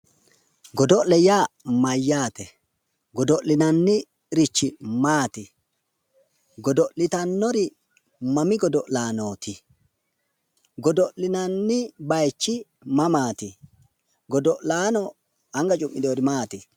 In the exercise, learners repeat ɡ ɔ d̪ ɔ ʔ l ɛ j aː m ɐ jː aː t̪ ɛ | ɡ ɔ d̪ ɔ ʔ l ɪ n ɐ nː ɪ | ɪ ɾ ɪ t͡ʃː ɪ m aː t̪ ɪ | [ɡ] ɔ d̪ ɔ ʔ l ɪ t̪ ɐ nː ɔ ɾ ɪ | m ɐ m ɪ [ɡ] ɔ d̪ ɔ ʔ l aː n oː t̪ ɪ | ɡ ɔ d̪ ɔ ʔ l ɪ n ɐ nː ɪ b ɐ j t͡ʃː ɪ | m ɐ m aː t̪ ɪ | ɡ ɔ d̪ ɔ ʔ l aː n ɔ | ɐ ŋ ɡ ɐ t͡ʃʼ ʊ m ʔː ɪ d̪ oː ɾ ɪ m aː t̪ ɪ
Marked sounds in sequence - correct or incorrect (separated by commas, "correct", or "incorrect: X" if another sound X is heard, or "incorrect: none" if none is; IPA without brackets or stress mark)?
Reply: correct, correct